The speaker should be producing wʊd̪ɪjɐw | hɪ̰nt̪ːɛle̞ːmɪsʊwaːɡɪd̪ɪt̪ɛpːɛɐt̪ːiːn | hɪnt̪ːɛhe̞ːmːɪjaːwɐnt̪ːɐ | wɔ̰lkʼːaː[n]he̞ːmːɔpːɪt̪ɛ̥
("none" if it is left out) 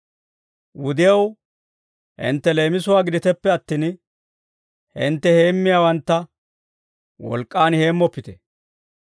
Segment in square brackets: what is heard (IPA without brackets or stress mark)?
n